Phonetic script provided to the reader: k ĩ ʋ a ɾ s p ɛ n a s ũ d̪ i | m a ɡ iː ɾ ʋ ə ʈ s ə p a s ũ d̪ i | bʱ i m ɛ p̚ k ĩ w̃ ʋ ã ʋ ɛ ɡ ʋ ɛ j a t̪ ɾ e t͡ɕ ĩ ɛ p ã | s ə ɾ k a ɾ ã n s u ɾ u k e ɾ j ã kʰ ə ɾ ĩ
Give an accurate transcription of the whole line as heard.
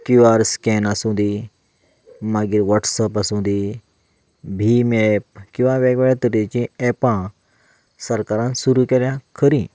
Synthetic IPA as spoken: k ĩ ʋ a ɾ s k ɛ n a s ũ d̪ i | m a ɡ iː ɾ ʋ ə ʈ s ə p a s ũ d̪ i | bʱ i m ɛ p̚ k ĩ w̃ ʋ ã ʋ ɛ ɡ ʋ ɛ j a t̪ ɾ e t͡ɕ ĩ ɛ p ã | s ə ɾ k a ɾ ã n s u ɾ u k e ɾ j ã kʰ ə ɾ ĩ

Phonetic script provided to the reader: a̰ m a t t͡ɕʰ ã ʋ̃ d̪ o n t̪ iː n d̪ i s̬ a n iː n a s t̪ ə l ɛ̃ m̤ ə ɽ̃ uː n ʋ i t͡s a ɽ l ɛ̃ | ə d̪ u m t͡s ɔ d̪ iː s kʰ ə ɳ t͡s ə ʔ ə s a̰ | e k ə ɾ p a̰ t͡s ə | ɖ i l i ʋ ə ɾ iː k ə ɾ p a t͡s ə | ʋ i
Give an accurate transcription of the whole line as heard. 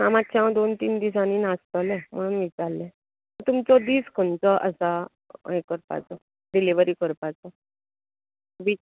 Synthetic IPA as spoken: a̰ m a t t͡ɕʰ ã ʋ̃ d̪ o n t̪ iː n d̪ i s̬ a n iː n a s t̪ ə l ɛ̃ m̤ ə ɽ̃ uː n ʋ i t͡s a ɾ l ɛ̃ | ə t̪ u m t͡s ɔ d̪ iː s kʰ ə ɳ t͡s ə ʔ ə s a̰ | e k ə ɾ p a̰ t͡s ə | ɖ i l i ʋ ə ɾ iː k ə ɾ p a t͡s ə | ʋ i

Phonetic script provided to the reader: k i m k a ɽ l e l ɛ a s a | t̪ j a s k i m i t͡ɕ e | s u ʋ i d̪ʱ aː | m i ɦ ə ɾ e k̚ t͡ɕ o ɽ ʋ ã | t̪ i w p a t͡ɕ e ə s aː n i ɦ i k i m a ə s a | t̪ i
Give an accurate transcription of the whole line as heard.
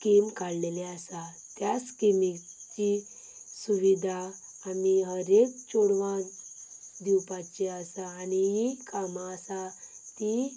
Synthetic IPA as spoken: k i m k a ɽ l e l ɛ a s a | t̪ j a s k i m i t͡ɕ i | s u ʋ i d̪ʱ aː | m i ɦ ə ɾ e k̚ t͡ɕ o ɽ ʋ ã | d̪ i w p a t͡ɕ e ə s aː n i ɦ i k a m a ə s a | t̪ i

